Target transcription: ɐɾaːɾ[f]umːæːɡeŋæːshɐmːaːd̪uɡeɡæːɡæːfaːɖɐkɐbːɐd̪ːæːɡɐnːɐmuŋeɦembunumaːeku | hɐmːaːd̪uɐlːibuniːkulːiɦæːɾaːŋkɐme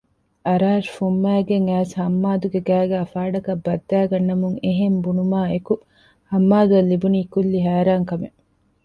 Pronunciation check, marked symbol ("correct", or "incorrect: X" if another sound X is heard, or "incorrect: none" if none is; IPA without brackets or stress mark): correct